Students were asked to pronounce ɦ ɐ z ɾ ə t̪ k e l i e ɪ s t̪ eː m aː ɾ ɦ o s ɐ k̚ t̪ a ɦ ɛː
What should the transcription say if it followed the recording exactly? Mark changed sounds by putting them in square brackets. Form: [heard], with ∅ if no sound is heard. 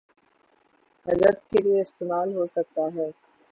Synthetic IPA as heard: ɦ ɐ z ɾ ə t̪ k e l i e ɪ s t̪ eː m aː [l] ɦ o s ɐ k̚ t̪ a ɦ ɛː